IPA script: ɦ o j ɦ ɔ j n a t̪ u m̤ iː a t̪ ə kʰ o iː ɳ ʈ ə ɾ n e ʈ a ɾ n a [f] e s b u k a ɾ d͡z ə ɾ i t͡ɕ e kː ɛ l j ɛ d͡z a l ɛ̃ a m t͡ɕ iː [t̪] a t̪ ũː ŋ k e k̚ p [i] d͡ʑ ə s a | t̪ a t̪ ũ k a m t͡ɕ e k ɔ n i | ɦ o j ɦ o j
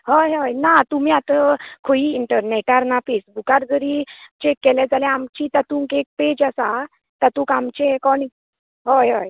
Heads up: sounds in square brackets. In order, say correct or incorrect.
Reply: correct, correct, incorrect

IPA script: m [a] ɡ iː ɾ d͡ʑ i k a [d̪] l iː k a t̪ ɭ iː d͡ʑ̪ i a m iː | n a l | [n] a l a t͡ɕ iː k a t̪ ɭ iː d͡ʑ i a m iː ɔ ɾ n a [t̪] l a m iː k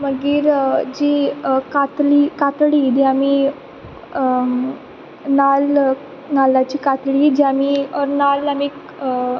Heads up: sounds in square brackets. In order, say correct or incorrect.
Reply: incorrect, incorrect, correct, incorrect

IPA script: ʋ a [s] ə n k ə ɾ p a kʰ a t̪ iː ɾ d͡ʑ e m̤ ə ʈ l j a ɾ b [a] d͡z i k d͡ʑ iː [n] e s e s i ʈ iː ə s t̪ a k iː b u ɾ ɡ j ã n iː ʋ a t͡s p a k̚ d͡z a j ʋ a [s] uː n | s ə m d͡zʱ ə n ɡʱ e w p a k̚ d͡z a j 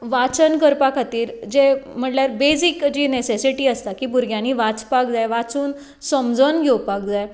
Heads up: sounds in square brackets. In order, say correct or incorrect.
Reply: incorrect, incorrect, correct, incorrect

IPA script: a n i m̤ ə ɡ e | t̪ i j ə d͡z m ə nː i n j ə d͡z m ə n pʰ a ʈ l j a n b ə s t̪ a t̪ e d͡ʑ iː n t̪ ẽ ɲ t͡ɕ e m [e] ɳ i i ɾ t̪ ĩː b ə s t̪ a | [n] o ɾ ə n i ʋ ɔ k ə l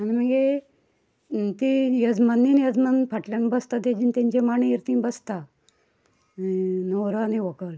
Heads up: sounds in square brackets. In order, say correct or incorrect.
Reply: incorrect, correct

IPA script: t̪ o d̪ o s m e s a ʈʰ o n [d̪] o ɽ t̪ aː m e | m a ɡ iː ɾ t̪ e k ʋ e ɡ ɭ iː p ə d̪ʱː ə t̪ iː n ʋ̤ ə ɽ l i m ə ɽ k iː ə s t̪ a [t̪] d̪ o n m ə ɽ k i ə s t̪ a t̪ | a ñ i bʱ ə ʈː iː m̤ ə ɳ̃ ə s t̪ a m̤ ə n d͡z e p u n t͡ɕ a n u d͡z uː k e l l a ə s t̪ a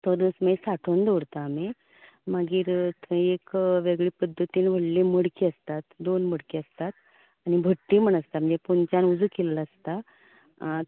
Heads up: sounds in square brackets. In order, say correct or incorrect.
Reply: correct, correct

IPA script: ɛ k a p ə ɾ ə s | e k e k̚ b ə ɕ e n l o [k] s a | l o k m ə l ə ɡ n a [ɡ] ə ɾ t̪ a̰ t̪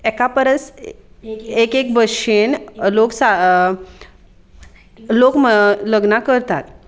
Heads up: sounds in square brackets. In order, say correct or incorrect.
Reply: correct, incorrect

